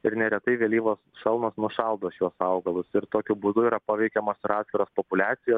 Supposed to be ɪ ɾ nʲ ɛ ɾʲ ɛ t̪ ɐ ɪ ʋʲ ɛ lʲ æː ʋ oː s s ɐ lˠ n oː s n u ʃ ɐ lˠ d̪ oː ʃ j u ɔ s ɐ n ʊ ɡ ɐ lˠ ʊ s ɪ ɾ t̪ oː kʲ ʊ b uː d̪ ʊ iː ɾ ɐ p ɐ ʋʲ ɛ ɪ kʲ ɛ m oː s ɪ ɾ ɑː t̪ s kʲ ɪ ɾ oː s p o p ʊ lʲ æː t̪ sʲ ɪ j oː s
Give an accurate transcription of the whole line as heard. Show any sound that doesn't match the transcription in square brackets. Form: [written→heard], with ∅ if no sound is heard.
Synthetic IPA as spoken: ɪ ɾ nʲ ɛ ɾʲ ɛ t̪ ɐ ɪ ʋʲ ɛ lʲ [æː→iː] ʋ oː s [s→ʃ] ɐ lˠ n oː s n [u→ʊ] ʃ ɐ lˠ d̪ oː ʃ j u ɔ s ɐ [n→∅] ʊ ɡ ɐ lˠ ʊ s ɪ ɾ t̪ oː kʲ ʊ b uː d̪ ʊ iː ɾ ɐ p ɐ ʋʲ ɛ ɪ kʲ ɛ m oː s ɪ ɾ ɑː t̪ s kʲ ɪ ɾ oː s p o p ʊ lʲ æː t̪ sʲ ɪ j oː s